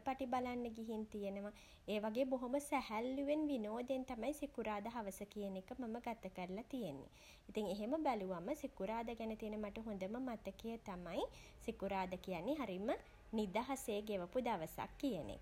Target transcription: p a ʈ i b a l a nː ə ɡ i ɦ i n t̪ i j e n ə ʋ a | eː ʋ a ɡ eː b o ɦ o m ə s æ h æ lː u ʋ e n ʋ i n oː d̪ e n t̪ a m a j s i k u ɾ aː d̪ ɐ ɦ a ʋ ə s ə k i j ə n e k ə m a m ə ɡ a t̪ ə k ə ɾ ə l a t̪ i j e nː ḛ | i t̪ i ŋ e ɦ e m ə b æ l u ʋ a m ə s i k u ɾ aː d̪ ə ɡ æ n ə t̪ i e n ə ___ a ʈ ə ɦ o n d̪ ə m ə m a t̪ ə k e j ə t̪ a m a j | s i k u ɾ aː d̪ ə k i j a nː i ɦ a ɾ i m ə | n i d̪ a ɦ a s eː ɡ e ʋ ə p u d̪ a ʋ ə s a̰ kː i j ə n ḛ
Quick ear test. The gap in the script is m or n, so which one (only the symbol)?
m